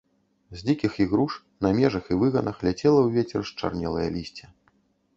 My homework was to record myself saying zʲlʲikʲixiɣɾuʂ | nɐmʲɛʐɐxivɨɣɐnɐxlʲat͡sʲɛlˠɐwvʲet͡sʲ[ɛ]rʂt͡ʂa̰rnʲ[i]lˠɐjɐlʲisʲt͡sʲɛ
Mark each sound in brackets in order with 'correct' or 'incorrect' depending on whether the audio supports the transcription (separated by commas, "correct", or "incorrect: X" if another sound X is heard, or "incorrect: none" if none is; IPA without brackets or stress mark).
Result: correct, incorrect: ɛ